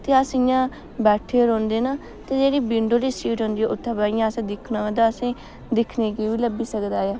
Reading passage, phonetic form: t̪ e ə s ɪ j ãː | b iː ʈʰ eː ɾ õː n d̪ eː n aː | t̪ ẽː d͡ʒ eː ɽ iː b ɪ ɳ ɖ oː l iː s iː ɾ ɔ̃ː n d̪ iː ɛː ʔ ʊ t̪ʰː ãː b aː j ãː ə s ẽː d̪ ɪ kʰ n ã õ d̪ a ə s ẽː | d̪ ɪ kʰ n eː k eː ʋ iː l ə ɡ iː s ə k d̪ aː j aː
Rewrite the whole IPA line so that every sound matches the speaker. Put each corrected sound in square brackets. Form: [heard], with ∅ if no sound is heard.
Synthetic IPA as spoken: t̪ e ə s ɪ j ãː | b [ɛː] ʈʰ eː ɾ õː n d̪ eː n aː | t̪ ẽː d͡ʒ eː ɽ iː b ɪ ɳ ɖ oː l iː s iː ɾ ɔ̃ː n d̪ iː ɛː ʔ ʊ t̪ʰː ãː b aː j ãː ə s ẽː d̪ ɪ kʰ n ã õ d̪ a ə s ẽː | d̪ ɪ kʰ n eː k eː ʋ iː l ə [b] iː s ə k d̪ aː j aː